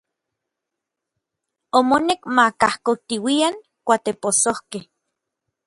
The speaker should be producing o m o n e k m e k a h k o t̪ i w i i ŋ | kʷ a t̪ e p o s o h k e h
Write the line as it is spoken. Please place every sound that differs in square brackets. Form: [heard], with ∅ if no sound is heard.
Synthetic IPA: o m o n e k m [a] k a h k o t̪ i w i [a] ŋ | kʷ a t̪ e p o s o h k e h